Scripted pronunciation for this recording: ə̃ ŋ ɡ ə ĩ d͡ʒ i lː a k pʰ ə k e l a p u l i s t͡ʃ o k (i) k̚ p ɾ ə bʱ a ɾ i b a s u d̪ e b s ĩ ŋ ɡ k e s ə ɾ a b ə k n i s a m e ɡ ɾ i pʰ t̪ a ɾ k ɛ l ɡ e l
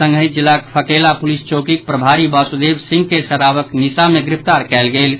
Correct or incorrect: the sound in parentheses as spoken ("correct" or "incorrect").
correct